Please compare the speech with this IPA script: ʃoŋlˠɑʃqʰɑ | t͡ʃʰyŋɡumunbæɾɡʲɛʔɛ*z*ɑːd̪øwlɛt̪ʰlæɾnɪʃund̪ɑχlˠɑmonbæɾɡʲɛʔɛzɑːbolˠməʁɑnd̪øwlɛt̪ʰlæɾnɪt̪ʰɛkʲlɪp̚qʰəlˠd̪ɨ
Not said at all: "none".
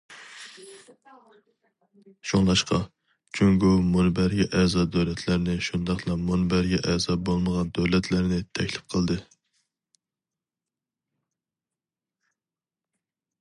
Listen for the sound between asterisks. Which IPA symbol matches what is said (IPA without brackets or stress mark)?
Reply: z